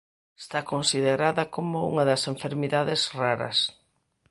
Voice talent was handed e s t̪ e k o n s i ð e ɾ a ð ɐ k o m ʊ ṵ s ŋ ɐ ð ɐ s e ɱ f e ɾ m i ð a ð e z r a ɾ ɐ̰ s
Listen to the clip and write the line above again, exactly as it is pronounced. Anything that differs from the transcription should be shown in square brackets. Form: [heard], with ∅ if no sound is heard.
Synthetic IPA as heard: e s t̪ [a] k o n s i ð e ɾ a ð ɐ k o m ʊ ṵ [∅] ŋ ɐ ð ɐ s e ɱ f e ɾ m i ð a ð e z r a ɾ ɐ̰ s